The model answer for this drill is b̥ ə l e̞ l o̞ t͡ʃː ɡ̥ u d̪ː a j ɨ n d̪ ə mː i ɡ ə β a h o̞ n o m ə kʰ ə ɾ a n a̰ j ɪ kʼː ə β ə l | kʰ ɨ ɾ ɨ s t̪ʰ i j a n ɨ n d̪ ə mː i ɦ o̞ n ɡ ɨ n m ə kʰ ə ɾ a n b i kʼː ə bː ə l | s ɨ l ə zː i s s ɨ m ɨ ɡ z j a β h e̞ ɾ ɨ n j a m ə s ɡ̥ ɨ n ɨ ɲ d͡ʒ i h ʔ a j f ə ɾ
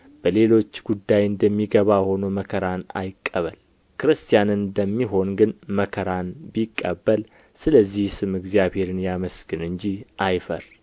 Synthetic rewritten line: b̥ ə l e̞ l o̞ t͡ʃː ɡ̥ u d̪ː a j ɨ n d̪ ə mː i ɡ ə β a h o̞ n o m ə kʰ ə ɾ a n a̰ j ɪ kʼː ə β ə l | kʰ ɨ ɾ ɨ s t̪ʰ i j a n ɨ n d̪ ə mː i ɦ o̞ n ɡ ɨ n m ə kʰ ə ɾ a n b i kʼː ə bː ə l | s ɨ l ə zː i h s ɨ m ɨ ɡ z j a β h e̞ ɾ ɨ n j a m ə s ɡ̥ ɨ n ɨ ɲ d͡ʒ i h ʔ a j f ə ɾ

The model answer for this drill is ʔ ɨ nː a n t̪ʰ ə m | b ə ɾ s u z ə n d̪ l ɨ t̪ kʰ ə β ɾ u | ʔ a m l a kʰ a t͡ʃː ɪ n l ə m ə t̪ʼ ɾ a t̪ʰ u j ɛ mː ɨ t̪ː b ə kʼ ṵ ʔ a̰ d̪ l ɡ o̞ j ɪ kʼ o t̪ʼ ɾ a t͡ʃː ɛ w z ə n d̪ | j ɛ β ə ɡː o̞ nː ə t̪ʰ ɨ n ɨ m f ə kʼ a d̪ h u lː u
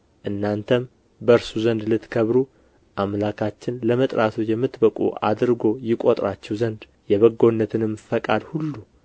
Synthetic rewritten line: ʔ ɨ nː a n t̪ʰ ə m | b ə ɾ s u z ə n d̪ l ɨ t̪ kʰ ə β ɾ u | ʔ a m l a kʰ a t͡ʃː ɪ n l ə m ə t̪ʼ ɾ a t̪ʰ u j ɛ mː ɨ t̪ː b ə kʼ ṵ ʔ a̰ d̪ ɾ ɡ o̞ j ɪ kʼ o t̪ʼ ɾ a t͡ʃː ɛ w z ə n d̪ | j ɛ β ə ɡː o̞ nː ə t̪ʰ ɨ n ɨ m f ə kʼ a d̪ h u lː u

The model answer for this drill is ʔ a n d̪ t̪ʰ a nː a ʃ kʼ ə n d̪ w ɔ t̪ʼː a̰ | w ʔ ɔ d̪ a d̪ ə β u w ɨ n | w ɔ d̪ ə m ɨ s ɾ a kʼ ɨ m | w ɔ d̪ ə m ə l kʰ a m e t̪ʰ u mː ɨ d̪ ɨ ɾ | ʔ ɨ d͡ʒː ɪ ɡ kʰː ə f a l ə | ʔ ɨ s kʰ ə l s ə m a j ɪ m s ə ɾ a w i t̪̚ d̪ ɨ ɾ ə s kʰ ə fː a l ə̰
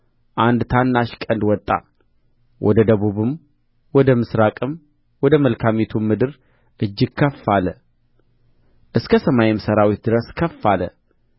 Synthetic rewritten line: ʔ a n d̪ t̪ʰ a nː a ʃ kʼ ə n d̪ w ɔ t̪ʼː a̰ | w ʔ ɔ d̪ ə d̪ ə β u β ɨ m | w ɔ d̪ ə m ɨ s ɾ a kʼ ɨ m | w ɔ d̪ ə m ə l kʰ a m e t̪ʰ u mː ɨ d̪ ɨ ɾ | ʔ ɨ d͡ʒː ɪ ɡ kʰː ə f a l ə | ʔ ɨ s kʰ ə s ə m a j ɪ m s ə ɾ a w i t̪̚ d̪ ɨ ɾ ə s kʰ ə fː a l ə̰

